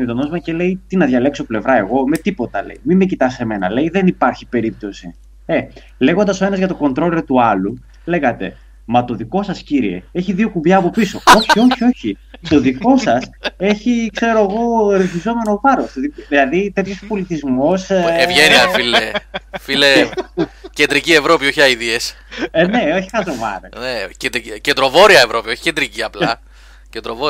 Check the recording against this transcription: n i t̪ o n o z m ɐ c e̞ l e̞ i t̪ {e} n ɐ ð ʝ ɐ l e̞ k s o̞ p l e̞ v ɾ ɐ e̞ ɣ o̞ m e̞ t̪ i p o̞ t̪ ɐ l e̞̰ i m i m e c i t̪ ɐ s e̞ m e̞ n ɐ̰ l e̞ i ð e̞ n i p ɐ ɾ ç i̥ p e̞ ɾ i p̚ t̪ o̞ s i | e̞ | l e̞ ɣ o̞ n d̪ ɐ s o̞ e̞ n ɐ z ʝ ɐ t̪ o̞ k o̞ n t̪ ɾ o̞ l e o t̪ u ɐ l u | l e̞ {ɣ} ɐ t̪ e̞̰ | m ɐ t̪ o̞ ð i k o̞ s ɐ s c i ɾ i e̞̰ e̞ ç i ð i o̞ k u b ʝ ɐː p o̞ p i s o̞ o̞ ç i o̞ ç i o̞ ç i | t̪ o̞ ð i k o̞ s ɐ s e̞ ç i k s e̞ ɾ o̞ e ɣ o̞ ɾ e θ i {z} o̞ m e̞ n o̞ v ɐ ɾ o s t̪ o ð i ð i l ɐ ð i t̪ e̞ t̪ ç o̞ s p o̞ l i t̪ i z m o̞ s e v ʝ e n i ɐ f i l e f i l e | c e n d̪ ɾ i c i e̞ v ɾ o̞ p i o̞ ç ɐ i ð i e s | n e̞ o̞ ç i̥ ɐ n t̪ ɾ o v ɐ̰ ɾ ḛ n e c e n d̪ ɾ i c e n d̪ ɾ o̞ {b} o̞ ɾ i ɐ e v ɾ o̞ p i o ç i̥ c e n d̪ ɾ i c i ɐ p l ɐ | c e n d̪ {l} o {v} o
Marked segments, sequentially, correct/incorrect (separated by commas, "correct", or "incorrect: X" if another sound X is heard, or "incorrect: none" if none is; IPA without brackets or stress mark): incorrect: i, correct, correct, incorrect: v, incorrect: ɾ, correct